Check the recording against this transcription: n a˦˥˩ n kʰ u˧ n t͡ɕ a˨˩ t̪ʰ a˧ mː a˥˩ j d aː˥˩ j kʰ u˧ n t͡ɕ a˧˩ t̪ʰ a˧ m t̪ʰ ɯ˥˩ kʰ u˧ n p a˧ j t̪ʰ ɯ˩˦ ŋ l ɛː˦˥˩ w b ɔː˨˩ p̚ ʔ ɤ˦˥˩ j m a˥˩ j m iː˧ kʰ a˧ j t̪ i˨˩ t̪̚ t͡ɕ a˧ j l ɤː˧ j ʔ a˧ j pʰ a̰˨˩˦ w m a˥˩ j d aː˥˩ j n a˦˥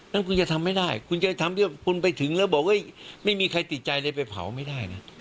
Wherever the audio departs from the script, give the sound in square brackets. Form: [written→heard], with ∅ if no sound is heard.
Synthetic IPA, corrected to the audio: n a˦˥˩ n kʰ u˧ n t͡ɕ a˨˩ t̪ʰ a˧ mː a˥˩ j d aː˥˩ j kʰ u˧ n t͡ɕ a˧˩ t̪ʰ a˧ m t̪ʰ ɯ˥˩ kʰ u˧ n p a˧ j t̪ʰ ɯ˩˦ ŋ l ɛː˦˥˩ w b ɔː˨˩ [p̚→k̚] ʔ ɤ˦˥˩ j m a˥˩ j m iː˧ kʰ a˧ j t̪ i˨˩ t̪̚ t͡ɕ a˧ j l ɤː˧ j [ʔ→p] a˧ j pʰ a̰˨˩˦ w m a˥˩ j d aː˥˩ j n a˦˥

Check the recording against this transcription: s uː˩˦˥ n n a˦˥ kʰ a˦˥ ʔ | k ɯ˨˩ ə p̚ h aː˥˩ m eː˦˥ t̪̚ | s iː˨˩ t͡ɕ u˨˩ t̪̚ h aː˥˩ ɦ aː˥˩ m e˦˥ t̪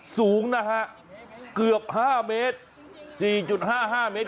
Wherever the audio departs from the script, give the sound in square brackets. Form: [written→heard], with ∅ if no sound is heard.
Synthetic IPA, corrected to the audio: s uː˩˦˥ [n→ŋ] n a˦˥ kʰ a˦˥ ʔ | k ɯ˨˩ ə p̚ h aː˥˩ m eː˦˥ t̪̚ | s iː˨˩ t͡ɕ u˨˩ t̪̚ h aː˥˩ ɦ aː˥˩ m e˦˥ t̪

